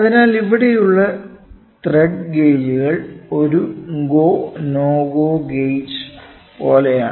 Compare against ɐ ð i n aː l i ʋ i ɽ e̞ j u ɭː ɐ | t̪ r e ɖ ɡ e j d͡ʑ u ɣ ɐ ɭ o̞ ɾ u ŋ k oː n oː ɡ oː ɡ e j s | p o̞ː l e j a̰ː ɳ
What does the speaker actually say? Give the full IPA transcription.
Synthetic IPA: ɐ ð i n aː l i ʋ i ɽ e̞ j u ɭː ɐ | t̪ r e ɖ ɡ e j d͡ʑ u ɣ ɐ ɭ o̞ ɾ u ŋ ɡ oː n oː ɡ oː ɡ e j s | p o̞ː l e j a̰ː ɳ